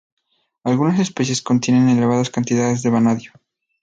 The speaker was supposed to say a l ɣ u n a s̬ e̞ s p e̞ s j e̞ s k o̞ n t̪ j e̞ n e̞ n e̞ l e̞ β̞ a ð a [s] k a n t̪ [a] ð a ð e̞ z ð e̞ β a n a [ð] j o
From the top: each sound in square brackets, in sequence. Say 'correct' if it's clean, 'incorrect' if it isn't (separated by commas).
correct, incorrect, correct